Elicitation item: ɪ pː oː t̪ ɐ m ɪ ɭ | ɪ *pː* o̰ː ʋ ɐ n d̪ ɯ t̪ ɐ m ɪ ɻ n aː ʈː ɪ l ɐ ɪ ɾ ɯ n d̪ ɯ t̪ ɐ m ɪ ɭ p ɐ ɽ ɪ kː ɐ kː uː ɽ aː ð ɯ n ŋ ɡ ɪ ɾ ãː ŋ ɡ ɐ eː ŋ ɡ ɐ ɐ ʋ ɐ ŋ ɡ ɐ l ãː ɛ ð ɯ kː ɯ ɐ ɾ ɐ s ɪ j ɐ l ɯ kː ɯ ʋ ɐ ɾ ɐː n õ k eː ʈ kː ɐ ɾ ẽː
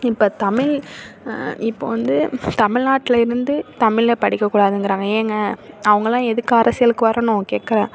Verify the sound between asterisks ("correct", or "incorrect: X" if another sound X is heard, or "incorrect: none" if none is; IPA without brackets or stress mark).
correct